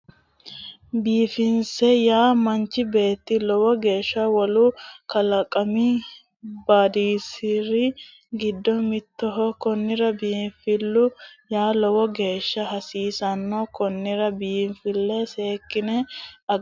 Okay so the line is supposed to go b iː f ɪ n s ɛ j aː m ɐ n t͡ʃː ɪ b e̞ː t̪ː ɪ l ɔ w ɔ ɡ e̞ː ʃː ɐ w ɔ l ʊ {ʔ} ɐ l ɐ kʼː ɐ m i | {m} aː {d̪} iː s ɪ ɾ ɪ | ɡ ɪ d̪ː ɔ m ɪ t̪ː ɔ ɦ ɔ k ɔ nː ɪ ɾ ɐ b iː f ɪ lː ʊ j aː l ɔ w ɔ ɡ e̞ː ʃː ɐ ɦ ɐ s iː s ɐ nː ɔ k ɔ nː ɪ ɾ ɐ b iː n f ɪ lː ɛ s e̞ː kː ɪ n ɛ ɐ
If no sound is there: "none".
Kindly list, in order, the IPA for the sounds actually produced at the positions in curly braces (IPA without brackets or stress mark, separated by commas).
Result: k, b, d̪